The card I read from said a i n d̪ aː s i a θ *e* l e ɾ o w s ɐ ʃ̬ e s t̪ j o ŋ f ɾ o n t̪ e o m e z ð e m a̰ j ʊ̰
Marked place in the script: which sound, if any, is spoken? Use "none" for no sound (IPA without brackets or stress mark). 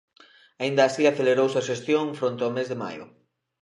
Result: e